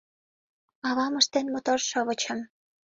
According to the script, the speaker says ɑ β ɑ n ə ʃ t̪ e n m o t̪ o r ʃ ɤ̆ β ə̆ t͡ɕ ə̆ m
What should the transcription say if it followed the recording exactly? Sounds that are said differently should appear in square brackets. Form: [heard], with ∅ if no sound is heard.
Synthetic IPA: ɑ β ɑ [m] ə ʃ t̪ e n m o t̪ o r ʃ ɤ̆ β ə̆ t͡ɕ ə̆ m